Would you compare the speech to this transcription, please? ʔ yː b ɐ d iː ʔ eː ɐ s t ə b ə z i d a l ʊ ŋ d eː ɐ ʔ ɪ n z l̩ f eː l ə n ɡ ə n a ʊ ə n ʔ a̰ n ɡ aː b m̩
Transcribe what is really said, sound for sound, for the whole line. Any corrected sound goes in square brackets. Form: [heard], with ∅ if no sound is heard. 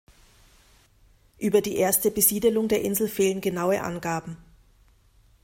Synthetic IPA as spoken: ʔ yː b ɐ d iː ʔ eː ɐ s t ə b ə z [iː] d [ə] l ʊ ŋ d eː ɐ ʔ ɪ n z l̩ f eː l ə n ɡ ə n a ʊ ə [∅] ʔ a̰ n ɡ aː b m̩